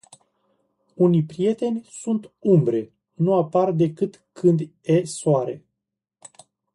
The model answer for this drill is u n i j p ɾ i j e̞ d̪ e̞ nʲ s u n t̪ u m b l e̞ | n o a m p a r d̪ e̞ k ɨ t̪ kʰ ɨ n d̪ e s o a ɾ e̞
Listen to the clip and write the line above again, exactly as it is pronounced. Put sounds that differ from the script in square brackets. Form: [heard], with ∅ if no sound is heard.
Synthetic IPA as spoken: u n i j p ɾ i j e̞ [t̪] e̞ nʲ s u n t̪ u m b [ɾ] e̞ | n [u] a [∅] p a r d̪ e̞ k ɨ t̪ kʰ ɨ n d̪ e s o a ɾ e̞